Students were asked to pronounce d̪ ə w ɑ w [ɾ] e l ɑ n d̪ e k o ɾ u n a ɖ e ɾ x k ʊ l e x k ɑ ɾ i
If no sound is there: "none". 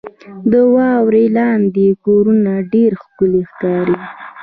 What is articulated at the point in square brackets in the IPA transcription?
ɾ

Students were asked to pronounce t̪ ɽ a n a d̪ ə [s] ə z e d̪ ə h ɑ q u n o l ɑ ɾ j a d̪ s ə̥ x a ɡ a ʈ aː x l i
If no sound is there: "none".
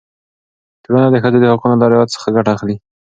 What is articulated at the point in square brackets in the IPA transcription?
x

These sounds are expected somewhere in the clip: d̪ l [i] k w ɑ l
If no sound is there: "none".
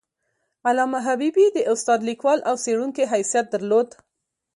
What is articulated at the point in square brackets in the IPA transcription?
i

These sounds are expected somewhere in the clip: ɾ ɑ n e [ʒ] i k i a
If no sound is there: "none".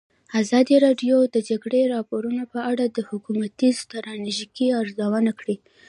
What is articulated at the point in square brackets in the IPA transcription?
ʒ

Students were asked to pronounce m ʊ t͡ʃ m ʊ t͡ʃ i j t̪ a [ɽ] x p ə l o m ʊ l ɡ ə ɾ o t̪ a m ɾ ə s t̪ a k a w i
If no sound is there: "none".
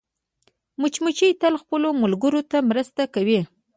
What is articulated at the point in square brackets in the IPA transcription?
l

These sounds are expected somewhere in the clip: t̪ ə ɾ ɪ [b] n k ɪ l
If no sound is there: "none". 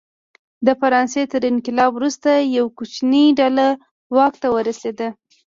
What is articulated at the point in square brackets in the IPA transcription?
none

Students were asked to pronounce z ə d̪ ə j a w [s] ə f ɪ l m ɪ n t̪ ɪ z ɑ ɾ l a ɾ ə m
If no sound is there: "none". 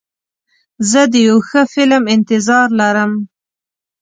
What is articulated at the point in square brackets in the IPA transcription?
x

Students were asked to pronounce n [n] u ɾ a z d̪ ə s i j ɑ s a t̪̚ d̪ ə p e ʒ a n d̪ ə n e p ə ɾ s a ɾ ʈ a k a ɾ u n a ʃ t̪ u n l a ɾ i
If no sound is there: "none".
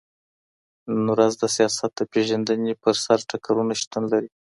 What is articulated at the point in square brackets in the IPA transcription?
n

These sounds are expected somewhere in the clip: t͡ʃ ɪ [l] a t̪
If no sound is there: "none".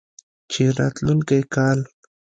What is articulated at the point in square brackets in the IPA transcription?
ɾ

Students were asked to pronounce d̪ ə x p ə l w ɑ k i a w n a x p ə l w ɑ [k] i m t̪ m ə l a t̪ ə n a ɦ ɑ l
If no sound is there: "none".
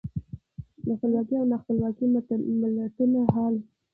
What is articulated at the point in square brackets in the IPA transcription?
k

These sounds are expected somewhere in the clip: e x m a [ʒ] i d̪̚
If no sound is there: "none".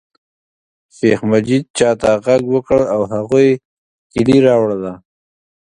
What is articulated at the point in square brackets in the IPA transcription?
d͡ʒ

